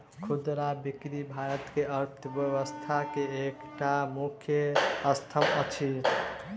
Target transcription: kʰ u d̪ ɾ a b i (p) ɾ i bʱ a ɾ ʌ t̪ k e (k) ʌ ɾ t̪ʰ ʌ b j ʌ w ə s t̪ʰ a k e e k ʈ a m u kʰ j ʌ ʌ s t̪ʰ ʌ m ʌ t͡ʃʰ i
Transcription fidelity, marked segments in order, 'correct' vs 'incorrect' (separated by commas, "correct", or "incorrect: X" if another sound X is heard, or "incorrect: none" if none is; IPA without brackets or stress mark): incorrect: k, incorrect: none